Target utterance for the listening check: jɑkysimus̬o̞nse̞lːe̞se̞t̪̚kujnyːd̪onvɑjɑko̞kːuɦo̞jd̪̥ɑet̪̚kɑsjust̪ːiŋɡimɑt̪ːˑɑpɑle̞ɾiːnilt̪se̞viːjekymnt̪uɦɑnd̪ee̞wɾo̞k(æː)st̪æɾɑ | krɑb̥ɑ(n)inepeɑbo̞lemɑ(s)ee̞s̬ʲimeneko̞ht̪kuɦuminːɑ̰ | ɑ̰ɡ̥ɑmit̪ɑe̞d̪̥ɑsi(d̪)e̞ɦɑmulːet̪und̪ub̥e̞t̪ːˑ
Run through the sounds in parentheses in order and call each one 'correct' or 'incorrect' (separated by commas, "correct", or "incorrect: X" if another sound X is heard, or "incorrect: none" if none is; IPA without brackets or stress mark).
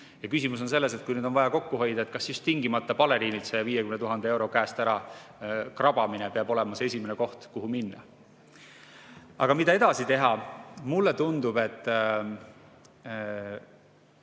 correct, incorrect: m, correct, incorrect: t̪